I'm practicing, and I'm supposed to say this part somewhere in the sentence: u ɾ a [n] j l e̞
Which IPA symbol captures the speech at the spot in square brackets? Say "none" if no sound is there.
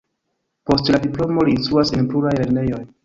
none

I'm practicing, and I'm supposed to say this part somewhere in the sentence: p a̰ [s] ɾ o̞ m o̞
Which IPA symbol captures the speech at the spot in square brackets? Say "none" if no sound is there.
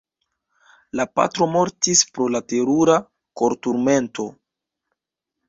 t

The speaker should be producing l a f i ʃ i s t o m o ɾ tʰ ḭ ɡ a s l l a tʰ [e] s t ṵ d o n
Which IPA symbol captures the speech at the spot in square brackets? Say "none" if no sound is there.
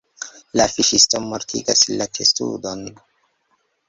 e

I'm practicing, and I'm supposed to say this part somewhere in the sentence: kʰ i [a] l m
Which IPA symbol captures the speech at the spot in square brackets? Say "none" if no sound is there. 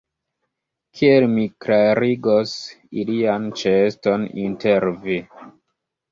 e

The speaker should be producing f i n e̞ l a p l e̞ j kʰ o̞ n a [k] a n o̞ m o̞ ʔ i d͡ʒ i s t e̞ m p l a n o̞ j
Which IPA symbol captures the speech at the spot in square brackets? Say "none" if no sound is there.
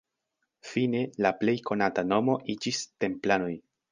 t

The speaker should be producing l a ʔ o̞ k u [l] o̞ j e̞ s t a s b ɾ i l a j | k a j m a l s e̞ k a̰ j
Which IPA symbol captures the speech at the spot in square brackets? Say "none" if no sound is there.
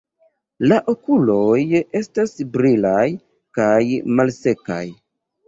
l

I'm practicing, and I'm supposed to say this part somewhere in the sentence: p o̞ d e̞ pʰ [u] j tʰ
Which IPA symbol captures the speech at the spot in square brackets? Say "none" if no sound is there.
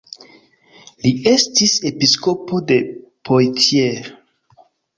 o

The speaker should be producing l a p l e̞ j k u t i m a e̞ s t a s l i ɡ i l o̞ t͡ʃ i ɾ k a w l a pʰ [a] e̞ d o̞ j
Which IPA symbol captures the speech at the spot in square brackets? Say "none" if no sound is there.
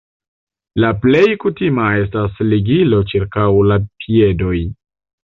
i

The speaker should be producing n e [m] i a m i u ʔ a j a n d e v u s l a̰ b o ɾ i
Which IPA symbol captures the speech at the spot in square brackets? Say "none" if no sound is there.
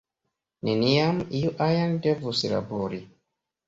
n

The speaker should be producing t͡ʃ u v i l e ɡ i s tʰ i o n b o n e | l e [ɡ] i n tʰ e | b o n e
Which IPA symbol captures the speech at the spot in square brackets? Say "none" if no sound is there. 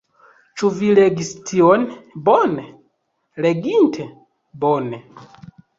ɡ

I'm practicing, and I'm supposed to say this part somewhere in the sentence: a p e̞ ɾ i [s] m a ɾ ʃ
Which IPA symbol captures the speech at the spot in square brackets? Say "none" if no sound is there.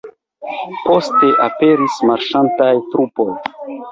s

